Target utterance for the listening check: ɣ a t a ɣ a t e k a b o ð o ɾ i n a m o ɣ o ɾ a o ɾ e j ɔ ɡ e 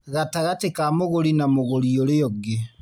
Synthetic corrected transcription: ɣ a t a ɣ a t e k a m o ɣ o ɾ i n a m o ɣ o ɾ i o ɾ e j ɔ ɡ e